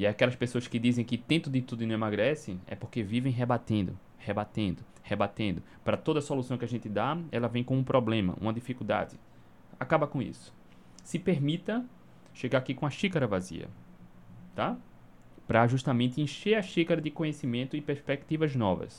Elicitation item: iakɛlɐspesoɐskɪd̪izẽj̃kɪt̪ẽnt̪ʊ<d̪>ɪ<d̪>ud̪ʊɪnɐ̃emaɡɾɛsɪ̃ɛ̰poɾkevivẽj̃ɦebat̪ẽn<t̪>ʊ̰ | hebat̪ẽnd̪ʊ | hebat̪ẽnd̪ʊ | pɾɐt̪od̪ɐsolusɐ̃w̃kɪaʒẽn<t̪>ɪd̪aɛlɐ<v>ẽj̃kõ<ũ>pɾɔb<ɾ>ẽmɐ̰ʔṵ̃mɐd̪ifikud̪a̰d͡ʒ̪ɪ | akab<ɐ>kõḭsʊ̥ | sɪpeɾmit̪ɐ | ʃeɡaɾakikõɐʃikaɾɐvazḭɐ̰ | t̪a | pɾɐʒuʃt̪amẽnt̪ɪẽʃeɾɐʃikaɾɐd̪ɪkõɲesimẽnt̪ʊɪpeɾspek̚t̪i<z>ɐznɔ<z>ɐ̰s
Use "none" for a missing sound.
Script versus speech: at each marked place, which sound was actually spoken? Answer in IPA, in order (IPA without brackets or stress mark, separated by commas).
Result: d̪, t̪, d̪, t̪, v, ũ, l, ɐ, v, v